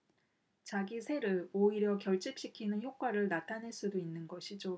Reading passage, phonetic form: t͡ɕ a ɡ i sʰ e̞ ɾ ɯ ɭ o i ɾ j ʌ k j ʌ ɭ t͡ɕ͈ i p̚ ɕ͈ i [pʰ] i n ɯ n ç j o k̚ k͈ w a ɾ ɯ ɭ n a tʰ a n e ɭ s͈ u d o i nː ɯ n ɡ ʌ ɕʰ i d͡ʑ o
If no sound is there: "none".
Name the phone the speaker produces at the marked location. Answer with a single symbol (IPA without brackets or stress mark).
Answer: kʰ